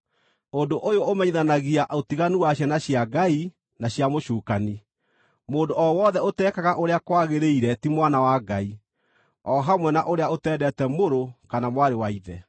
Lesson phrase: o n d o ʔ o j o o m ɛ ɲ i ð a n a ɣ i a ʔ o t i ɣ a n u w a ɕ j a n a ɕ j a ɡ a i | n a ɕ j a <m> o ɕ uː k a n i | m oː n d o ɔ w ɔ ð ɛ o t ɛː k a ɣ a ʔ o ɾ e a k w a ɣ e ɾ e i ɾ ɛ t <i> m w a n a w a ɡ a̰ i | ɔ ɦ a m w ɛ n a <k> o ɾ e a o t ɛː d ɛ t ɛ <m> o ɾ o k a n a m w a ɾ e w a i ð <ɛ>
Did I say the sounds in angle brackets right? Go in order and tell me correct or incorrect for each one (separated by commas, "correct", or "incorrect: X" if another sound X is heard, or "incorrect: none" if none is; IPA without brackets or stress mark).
correct, correct, incorrect: ʔ, correct, correct